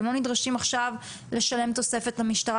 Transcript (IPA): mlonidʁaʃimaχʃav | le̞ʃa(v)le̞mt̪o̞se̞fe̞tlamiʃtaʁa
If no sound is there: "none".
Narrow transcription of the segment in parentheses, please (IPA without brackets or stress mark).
none